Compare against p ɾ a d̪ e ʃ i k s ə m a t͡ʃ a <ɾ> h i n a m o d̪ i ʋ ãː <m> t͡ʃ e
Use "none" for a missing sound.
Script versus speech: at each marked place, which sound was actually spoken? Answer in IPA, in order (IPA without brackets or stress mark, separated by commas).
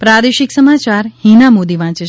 ɾ, none